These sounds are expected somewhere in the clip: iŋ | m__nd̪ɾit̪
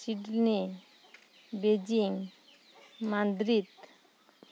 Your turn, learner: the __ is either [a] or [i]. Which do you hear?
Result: a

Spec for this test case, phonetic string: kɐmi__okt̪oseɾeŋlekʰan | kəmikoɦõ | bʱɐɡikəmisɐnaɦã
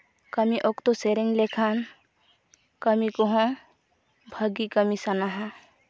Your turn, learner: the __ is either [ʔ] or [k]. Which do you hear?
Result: ʔ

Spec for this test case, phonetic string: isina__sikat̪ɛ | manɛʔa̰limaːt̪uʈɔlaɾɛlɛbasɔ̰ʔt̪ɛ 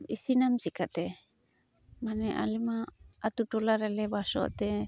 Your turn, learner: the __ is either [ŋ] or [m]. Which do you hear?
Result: m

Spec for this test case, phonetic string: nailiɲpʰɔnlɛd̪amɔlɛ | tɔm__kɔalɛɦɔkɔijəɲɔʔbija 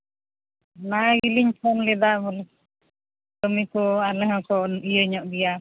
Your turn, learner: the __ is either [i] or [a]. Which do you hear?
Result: i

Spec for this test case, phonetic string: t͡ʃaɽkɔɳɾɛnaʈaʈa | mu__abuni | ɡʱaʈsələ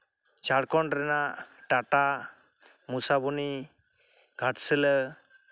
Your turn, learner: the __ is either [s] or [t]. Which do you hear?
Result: s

